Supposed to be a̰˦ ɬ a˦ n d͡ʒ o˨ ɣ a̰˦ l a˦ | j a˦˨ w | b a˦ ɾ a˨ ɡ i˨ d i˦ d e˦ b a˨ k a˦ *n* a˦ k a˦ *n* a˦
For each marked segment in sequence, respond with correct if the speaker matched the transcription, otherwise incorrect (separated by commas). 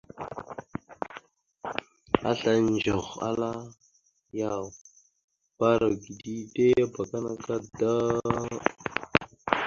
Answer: correct, incorrect